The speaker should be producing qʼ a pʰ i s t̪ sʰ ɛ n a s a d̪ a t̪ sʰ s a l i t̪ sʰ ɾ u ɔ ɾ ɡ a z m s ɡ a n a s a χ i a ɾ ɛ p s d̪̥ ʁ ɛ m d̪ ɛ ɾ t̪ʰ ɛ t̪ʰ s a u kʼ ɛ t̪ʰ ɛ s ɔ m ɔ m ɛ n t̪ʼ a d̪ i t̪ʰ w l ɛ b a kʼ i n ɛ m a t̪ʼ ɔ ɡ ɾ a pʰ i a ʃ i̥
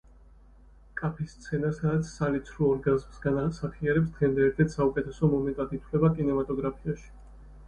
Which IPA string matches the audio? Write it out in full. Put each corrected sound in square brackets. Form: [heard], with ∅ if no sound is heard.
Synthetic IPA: [kʼ] a pʰ i s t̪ sʰ ɛ n a s a d̪ a t̪ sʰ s a l i t̪ sʰ ɾ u ɔ ɾ ɡ a z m s ɡ a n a s a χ i a ɾ ɛ p s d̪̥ ʁ ɛ m d̪ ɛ ɾ t̪ʰ ɛ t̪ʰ s a u kʼ ɛ t̪ʰ ɛ s ɔ m ɔ m ɛ n t̪ʼ a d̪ i t̪ʰ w l ɛ b a kʼ i n ɛ m a t̪ʼ ɔ ɡ ɾ a pʰ i a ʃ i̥